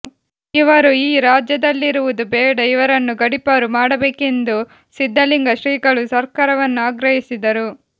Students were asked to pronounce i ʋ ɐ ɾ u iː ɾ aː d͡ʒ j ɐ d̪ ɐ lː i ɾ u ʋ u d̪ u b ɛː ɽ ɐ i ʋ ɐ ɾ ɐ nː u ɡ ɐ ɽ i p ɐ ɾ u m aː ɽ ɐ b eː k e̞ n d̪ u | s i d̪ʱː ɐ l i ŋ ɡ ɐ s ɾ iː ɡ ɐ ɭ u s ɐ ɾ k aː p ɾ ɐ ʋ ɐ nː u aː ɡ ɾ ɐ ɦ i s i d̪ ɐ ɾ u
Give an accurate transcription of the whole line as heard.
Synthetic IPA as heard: i ʋ ɐ ɾ u iː ɾ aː d͡ʒ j ɐ d̪ ɐ lː i ɾ u ʋ u d̪ u b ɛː ɽ ɐ i ʋ ɐ ɾ ɐ nː u ɡ ɐ ɽ i p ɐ ɾ u m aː ɽ ɐ b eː k e̞ n d̪ u | s i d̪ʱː ɐ l i ŋ ɡ ɐ ʃ ɾ iː ɡ ɐ ɭ u s ɐ ɾ k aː ɾ ɐ ʋ ɐ nː u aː ɡ ɾ ɐ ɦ i s i d̪ ɐ ɾ u